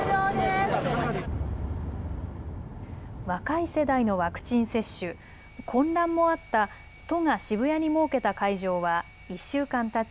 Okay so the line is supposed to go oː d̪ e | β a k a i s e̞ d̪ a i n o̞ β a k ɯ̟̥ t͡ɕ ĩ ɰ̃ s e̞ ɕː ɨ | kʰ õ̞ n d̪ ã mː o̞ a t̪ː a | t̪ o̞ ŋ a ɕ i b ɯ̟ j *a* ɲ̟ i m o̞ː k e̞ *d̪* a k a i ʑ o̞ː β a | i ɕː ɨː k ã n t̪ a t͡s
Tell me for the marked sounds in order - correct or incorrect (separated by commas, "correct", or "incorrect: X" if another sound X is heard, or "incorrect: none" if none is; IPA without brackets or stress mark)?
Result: correct, incorrect: t̪